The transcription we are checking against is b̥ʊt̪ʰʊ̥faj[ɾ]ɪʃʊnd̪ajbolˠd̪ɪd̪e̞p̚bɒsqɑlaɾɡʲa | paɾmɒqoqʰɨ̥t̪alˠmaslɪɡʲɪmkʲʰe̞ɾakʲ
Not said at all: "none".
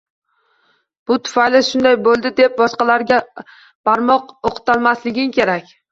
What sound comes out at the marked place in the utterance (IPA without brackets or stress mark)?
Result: l